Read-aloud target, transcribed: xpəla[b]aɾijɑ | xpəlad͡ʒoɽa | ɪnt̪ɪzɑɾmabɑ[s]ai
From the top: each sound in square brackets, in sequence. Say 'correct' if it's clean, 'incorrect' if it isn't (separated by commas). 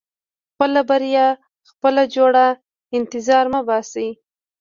correct, correct